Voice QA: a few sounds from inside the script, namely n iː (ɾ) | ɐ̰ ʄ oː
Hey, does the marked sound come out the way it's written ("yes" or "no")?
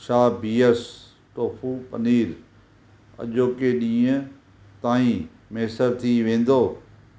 yes